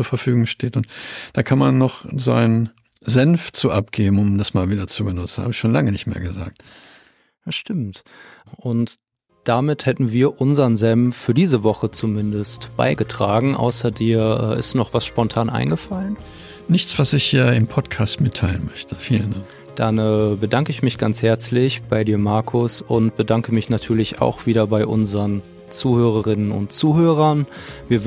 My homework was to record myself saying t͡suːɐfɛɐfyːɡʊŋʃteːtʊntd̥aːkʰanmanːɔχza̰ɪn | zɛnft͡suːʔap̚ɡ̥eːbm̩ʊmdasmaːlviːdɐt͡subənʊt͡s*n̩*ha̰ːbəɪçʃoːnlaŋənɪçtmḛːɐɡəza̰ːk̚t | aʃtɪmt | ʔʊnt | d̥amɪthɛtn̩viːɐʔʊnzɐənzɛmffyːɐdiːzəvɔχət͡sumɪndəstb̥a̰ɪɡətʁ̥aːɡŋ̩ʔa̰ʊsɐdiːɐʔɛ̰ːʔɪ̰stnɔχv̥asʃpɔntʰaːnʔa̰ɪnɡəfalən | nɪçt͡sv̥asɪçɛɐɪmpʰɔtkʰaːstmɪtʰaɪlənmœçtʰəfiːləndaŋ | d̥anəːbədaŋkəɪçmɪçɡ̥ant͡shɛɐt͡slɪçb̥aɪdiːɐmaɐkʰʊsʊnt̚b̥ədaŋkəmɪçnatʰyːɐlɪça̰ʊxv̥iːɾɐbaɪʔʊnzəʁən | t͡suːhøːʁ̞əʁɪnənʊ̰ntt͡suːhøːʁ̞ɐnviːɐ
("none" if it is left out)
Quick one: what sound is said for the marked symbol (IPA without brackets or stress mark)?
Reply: n̩